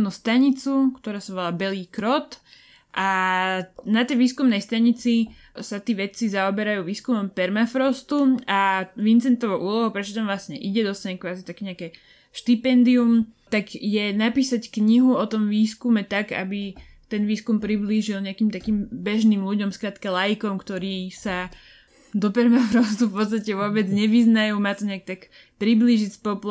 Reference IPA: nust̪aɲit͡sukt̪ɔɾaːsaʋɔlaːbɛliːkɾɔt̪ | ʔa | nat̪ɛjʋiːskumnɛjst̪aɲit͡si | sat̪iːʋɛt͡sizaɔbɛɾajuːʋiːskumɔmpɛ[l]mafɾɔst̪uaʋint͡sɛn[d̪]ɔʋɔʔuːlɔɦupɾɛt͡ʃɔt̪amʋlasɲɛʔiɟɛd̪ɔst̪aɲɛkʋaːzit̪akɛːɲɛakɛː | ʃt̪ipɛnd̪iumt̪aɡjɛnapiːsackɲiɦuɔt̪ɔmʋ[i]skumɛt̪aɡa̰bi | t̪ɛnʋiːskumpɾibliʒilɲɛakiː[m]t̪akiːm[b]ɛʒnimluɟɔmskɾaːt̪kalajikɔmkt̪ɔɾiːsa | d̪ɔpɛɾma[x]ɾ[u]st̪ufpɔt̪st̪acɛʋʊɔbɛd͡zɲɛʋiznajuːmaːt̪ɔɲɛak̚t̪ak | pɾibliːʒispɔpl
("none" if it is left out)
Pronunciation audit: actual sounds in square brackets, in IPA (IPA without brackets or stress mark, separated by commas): ɾ, t̪, iː, m, b, f, ɔ